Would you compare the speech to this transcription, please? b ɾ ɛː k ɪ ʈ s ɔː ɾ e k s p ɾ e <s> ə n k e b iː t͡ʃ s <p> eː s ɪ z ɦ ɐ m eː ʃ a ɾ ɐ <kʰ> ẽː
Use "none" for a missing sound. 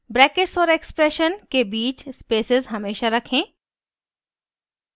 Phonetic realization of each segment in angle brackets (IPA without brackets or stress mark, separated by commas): ʃ, p, kʰ